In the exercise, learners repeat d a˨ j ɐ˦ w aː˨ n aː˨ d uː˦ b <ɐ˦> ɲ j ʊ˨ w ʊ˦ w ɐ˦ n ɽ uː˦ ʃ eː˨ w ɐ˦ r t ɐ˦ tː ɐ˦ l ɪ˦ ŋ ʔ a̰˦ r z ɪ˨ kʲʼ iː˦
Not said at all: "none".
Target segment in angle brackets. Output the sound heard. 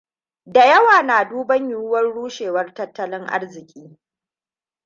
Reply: ɐ˦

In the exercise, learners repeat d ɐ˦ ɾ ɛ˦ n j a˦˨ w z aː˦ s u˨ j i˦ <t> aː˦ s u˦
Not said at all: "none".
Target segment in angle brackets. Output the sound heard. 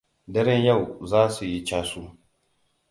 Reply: t͡ʃ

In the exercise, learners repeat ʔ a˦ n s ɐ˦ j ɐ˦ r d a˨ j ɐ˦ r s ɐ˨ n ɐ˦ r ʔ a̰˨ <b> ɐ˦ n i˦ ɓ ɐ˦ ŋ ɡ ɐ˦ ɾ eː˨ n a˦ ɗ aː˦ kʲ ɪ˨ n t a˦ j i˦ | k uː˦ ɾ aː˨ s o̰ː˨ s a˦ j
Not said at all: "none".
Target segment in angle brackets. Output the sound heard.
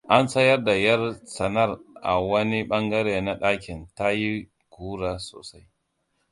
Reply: w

